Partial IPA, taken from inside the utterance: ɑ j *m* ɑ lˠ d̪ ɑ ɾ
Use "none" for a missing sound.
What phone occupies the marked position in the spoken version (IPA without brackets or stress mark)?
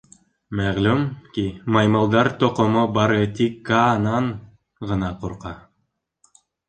m